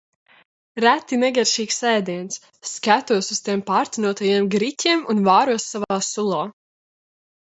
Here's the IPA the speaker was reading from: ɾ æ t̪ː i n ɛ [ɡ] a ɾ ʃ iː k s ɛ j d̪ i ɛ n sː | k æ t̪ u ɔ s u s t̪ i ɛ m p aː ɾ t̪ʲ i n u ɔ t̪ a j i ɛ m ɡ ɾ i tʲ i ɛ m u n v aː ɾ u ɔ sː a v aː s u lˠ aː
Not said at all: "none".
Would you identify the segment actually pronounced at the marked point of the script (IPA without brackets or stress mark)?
ɡ